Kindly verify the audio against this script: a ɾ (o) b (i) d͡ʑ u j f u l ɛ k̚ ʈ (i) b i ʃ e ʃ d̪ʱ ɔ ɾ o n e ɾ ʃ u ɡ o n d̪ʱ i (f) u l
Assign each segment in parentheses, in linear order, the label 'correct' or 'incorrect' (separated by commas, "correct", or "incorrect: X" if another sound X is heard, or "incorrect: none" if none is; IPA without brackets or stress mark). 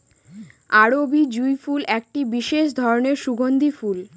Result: correct, correct, correct, correct